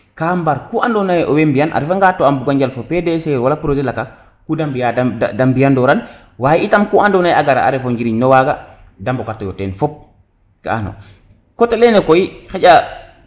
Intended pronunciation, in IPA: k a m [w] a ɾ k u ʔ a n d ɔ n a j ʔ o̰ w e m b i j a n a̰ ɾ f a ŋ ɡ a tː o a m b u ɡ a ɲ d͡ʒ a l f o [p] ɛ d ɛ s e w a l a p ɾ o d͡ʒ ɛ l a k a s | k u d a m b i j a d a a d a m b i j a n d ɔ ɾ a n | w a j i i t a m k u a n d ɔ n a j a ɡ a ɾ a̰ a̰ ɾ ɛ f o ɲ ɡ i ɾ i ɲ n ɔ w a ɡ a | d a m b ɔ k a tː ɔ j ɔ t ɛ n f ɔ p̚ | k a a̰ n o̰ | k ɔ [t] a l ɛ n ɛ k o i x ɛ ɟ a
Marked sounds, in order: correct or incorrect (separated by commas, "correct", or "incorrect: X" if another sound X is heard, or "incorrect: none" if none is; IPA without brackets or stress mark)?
incorrect: b, correct, correct